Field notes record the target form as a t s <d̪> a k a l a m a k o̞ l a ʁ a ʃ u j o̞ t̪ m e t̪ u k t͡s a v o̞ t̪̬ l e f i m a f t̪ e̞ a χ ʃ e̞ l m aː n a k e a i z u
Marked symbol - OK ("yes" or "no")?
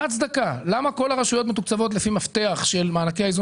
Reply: yes